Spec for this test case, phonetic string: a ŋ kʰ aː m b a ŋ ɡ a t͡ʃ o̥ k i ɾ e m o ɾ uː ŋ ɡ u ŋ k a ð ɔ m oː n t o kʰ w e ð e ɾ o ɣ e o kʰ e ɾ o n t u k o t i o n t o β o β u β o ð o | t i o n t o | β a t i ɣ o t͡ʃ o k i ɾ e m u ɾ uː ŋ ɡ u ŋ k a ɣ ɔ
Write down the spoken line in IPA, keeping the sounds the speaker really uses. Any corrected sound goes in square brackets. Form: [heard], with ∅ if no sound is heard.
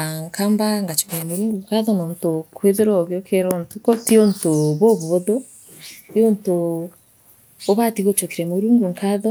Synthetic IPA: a ŋ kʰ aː m b a ŋ ɡ a t͡ʃ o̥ k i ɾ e m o ɾ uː ŋ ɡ u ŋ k a ð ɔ [n] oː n t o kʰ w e ð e ɾ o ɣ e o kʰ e ɾ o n t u k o t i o n t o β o β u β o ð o | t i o n t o | β a t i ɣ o t͡ʃ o k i ɾ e m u ɾ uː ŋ ɡ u ŋ k a [ð] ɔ